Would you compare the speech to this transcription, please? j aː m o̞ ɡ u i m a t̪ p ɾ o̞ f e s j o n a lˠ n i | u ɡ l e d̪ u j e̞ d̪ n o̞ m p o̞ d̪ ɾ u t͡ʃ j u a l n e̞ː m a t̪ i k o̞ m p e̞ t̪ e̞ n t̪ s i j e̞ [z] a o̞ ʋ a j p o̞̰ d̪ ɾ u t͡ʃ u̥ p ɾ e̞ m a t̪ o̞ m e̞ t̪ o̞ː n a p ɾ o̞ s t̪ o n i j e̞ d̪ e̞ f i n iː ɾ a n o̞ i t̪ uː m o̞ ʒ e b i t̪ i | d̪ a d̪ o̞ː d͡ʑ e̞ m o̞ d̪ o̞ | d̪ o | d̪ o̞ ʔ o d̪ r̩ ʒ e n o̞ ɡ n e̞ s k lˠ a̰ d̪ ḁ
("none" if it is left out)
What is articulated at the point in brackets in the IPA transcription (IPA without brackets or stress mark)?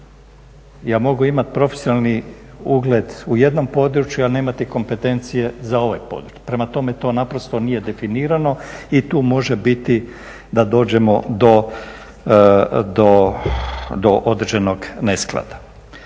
z